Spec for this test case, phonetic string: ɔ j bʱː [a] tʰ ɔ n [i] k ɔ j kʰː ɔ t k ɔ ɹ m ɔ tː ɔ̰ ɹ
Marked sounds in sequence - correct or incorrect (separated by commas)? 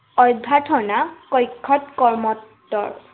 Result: correct, incorrect